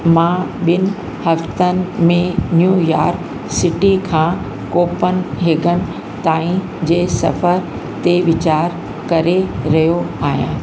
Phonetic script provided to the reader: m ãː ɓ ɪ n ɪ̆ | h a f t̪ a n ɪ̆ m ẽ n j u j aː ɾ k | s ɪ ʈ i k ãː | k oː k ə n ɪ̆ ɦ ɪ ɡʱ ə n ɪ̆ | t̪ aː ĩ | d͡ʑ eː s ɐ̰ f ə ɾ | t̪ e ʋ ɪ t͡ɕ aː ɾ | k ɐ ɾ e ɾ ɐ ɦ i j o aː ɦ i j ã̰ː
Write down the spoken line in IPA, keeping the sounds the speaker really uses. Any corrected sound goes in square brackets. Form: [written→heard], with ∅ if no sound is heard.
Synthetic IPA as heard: m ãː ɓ ɪ n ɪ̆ | h [a→ɐ] f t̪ [a→ə] n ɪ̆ m ẽ n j u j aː ɾ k | s ɪ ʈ i [k→kʰ] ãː | k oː [k→p] ə n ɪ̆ ɦ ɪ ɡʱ ə n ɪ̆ | t̪ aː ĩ | d͡ʑ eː s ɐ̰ f ə ɾ | t̪ e ʋ ɪ t͡ɕ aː ɾ | k ɐ ɾ e ɾ ɐ ɦ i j o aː ɦ i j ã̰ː